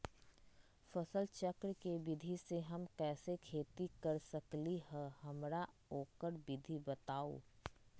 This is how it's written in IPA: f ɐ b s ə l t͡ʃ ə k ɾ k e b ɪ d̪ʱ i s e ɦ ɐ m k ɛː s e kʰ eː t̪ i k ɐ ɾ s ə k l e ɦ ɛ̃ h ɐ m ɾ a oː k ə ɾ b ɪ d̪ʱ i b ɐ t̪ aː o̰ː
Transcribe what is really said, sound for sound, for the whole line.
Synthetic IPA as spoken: f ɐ s ə l t͡ʃ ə k ɾ k e b ɪ d̪ʱ i s e ɦ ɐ m k ɛː s e kʰ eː t̪ i k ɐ ɾ s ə k l i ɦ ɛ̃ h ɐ m ɾ a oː k ə ɾ b ɪ d̪ʱ i b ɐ t̪ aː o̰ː